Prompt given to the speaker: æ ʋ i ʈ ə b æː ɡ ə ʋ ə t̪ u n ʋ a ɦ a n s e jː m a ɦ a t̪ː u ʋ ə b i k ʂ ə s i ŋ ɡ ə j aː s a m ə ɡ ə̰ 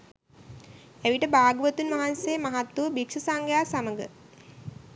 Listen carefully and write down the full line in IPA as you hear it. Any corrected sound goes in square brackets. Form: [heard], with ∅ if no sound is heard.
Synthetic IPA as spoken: æ ʋ i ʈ ə b [aː] ɡ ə ʋ ə t̪ u n ʋ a ɦ a n s e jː m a ɦ a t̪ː u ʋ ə b i k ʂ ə s [a] ŋ ɡ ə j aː s a m ə ɡ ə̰